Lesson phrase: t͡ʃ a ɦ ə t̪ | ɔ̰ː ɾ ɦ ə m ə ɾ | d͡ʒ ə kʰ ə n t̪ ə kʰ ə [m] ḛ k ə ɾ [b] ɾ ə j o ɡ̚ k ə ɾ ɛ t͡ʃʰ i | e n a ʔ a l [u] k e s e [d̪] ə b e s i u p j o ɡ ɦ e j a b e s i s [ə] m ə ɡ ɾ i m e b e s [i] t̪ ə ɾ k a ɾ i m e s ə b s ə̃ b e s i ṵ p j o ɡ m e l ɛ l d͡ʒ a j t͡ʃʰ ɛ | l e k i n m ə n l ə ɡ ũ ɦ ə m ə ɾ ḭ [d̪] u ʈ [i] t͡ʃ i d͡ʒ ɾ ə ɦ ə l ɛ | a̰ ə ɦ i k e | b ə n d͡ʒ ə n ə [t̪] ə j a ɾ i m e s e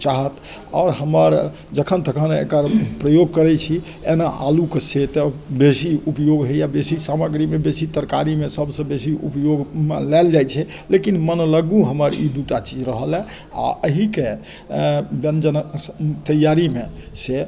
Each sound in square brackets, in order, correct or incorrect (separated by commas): incorrect, incorrect, correct, incorrect, incorrect, correct, correct, incorrect, correct